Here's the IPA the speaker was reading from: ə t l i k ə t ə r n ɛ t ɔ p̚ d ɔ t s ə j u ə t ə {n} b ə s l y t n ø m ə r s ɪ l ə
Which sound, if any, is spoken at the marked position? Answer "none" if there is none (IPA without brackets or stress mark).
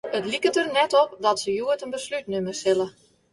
n